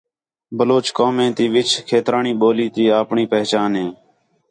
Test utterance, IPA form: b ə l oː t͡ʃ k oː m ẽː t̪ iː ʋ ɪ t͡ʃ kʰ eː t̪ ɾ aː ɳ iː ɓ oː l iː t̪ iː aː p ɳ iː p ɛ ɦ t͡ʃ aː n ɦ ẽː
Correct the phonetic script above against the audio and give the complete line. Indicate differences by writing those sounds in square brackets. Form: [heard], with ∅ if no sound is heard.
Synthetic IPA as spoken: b ə l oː t͡ʃ k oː m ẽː t̪ iː ʋ ɪ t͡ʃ kʰ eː t̪ ɾ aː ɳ iː ɓ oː l iː t̪ iː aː p ɳ iː p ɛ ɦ t͡ʃ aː n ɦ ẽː